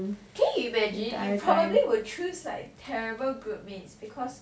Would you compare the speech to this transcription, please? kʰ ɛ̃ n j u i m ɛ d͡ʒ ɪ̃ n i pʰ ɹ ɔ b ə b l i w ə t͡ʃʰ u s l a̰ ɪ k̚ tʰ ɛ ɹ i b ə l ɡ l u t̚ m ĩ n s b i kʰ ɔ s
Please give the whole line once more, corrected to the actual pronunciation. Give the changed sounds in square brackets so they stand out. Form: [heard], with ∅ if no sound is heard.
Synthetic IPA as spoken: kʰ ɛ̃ n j u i m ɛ d͡ʒ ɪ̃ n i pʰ ɹ ɔ b ə b l i w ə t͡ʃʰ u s l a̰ ɪ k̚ tʰ ɛ ɹ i b ə l ɡ [ɹ] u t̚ m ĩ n s b i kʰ ɔ s